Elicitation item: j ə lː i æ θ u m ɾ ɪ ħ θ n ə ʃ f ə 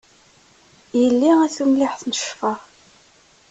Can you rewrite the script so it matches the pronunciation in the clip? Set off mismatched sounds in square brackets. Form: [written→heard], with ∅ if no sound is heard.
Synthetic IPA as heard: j ə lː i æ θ u m [ɾ→l] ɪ ħ θ n ə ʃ f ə